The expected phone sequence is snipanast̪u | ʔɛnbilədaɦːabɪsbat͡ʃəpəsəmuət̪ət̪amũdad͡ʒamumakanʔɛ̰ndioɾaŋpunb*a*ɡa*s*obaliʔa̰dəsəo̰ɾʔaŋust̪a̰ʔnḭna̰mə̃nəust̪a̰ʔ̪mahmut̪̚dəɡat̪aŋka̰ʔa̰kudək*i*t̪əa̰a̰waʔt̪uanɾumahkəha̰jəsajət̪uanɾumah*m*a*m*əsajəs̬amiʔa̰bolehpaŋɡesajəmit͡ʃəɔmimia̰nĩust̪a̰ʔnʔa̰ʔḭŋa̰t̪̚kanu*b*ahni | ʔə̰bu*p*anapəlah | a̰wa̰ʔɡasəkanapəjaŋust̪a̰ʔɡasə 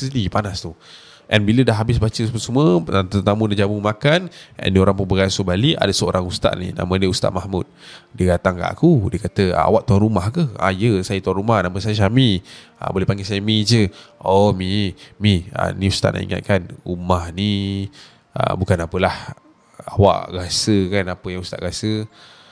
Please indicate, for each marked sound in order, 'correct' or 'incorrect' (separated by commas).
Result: incorrect, correct, incorrect, incorrect, correct, incorrect, incorrect